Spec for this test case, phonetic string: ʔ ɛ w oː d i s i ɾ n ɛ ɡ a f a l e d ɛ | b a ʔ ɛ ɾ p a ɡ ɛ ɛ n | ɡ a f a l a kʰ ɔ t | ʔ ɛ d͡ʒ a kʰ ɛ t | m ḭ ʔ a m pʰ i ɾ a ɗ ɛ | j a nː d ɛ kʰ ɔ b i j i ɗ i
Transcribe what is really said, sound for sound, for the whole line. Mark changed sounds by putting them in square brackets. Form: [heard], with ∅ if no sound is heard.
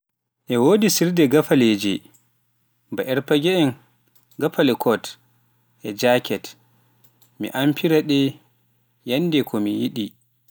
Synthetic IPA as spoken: ʔ ɛ w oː d i s i ɾ [d] ɛ ɡ a f a l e [d͡ʒ] ɛ | b a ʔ ɛ ɾ p a ɡ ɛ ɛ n | ɡ a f a l [ɛ] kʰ ɔ t | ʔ ɛ d͡ʒ a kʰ ɛ t | m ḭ ʔ a m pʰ i ɾ a ɗ ɛ | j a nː d ɛ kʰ ɔ [m] i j i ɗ i

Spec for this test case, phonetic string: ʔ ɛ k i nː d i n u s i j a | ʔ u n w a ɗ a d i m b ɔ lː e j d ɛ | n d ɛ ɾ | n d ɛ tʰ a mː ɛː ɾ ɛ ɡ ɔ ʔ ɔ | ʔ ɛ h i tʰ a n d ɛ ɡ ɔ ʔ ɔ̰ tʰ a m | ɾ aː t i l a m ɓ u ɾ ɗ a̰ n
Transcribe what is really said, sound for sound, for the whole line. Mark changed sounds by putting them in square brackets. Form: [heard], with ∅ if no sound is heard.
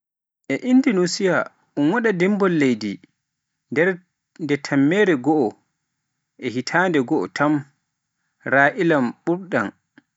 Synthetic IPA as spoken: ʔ ɛ [ʔ] i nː d i n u s i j a | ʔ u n w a ɗ a d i m b ɔ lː e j d [i] | n d ɛ ɾ | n d ɛ tʰ a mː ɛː ɾ ɛ ɡ ɔ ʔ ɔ | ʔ ɛ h i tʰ a n d ɛ ɡ ɔ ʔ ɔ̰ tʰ a m | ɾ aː [ʔ] i l a m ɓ u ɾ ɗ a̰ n

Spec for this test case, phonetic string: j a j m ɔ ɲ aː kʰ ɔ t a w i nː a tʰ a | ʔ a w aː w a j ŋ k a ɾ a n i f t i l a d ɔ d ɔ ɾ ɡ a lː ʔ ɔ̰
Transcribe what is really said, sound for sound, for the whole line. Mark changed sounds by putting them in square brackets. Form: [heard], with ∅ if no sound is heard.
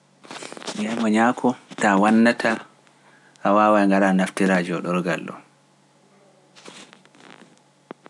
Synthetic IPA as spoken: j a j m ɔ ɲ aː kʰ ɔ t a w [a] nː a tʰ a | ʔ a w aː w a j ŋ [ɡ] a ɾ a n [a] f t i [ɾ] a [d͡ʒ] ɔ [ɗ] ɔ ɾ ɡ a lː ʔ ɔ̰

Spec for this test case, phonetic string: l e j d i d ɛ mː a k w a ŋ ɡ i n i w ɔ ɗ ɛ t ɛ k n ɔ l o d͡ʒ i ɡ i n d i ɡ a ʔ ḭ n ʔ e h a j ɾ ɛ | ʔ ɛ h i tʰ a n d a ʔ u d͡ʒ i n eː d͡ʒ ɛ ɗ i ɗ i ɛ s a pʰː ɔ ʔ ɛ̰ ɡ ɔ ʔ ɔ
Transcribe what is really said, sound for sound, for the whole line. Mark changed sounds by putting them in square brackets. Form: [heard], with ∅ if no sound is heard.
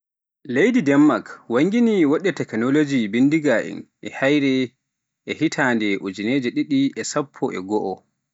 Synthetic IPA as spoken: l e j d i d ɛ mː a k w a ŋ ɡ i n i w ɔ ɗ ɛ t ɛ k n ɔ l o d͡ʒ i [b] i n d i ɡ a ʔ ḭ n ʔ [ɛ] h a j ɾ ɛ | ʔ ɛ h i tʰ a n d [ɛ] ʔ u d͡ʒ i n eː d͡ʒ ɛ ɗ i ɗ i ɛ s a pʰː ɔ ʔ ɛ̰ ɡ ɔ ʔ ɔ

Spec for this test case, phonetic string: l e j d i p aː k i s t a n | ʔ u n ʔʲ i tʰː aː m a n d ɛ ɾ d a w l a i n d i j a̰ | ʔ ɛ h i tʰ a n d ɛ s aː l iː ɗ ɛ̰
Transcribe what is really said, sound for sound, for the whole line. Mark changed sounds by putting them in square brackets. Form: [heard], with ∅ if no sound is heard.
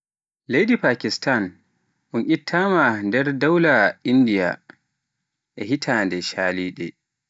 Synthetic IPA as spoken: l e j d i p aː k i s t a n | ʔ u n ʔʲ i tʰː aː m a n d ɛ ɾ d a w l a i n d i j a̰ | ʔ ɛ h i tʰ a n d ɛ [ʃ] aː l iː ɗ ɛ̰

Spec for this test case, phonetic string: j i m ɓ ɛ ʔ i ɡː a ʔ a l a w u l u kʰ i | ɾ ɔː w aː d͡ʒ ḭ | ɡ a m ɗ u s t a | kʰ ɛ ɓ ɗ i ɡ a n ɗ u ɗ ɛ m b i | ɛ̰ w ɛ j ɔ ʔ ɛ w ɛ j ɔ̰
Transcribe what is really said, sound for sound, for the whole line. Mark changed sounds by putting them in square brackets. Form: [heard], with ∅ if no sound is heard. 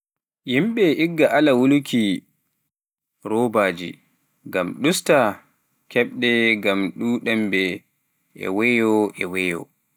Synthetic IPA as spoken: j i m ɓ ɛ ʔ i ɡː a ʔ a l a w u l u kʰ i | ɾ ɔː [b] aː d͡ʒ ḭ | ɡ a m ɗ u s t a | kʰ ɛ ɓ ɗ [ɛ] ɡ a [m] ɗ u ɗ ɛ m b [ɛ] | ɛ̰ w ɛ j ɔ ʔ ɛ w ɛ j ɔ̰

